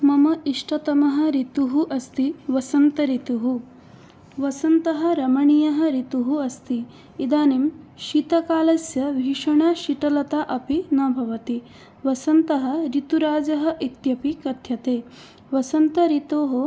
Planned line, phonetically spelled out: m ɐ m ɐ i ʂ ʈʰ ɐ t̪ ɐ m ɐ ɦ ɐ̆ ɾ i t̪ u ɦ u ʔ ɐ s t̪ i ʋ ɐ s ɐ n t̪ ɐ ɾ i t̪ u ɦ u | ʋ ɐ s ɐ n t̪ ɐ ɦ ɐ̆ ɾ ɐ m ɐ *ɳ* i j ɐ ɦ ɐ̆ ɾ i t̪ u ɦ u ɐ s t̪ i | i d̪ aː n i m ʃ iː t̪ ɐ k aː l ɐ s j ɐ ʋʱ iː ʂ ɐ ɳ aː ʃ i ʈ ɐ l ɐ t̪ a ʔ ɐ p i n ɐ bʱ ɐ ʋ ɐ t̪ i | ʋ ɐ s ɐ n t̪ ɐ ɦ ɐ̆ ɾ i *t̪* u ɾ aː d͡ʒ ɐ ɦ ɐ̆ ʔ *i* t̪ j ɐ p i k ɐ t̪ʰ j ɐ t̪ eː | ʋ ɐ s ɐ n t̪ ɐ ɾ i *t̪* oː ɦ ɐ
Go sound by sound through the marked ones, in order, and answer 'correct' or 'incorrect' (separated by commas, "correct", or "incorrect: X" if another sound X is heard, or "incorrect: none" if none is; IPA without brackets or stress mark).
correct, correct, correct, correct